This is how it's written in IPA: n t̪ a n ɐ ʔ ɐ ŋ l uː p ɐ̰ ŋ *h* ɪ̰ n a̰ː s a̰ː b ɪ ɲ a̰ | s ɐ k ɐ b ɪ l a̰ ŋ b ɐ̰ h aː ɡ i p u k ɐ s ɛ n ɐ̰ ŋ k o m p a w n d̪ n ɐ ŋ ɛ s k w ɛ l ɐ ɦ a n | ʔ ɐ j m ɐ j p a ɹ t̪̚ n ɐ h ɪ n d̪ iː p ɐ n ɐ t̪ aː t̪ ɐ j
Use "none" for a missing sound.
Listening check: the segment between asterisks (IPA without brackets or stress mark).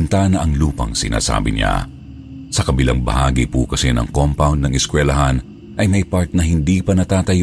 s